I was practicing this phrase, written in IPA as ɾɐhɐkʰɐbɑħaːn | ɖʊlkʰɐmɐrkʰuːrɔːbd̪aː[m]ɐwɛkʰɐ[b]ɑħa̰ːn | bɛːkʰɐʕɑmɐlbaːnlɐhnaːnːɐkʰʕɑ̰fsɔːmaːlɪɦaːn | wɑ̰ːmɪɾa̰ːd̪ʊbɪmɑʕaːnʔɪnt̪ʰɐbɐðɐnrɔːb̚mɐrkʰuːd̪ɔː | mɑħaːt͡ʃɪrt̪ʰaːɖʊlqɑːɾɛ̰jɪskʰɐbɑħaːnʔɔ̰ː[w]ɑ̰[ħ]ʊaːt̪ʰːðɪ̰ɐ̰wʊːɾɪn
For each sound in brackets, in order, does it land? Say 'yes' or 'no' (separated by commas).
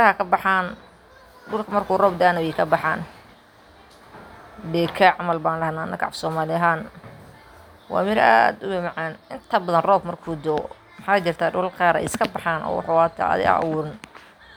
no, yes, yes, yes